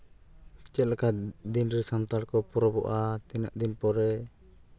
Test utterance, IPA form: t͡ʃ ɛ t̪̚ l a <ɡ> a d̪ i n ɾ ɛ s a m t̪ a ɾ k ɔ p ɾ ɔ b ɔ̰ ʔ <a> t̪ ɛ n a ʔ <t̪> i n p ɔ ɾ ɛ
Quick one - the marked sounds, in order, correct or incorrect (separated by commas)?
incorrect, correct, incorrect